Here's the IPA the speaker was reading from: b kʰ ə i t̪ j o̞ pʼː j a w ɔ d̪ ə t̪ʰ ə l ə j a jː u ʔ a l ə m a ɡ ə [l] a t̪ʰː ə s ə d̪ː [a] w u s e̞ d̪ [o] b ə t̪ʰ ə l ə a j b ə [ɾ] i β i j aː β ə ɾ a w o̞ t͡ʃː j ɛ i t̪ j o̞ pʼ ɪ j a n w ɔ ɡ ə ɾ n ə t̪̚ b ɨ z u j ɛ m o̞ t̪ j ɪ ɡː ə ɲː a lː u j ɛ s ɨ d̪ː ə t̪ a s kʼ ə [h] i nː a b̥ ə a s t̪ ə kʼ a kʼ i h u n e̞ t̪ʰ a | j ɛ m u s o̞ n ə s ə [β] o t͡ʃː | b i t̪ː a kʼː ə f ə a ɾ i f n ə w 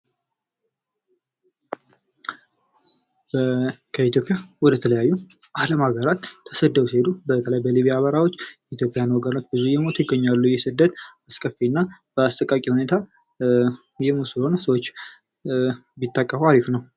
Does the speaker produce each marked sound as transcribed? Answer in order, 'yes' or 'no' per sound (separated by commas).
no, no, no, no, no, no